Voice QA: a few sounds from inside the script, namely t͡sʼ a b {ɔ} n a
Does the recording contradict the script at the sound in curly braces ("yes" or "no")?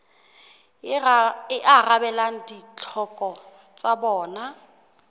yes